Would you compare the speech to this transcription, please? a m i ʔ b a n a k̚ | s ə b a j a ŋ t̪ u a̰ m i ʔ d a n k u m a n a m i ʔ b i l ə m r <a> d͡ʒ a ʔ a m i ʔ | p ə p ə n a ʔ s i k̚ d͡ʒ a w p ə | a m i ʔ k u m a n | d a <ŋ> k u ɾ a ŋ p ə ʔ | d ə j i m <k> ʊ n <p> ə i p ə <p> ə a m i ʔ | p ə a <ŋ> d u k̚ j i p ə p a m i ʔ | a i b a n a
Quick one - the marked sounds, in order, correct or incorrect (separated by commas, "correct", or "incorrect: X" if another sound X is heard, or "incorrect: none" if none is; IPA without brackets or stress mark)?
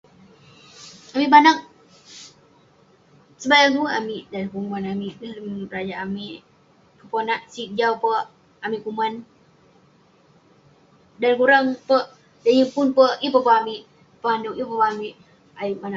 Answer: correct, incorrect: n, incorrect: p, correct, correct, incorrect: n